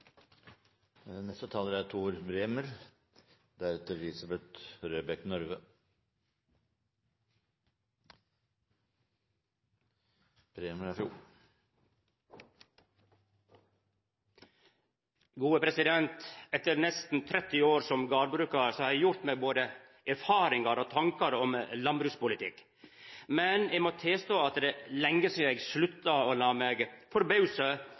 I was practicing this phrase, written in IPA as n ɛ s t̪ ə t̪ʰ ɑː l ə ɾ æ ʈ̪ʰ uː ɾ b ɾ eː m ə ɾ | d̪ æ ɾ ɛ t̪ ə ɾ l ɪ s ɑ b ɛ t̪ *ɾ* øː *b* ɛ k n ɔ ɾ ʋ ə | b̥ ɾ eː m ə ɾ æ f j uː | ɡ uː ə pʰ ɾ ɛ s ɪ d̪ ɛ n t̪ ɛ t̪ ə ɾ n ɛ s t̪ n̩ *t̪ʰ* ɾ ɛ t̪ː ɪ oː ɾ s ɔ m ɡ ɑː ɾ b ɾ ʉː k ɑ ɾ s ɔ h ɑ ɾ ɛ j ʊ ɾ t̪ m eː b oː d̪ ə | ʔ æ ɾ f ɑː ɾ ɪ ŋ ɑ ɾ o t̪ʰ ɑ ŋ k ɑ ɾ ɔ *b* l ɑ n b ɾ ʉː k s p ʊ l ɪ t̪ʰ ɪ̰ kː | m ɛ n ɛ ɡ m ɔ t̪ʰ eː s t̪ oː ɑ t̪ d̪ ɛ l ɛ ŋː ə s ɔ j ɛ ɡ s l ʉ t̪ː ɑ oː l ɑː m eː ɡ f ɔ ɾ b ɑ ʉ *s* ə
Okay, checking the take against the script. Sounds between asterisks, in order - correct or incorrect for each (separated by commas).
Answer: correct, correct, correct, incorrect, correct